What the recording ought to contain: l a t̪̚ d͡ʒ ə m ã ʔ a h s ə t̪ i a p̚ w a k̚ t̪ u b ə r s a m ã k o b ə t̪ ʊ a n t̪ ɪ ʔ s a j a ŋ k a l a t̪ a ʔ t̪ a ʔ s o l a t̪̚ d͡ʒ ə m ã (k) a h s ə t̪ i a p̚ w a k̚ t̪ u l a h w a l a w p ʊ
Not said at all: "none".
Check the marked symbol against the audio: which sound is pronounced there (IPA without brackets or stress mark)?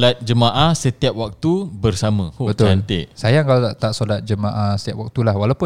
ʔ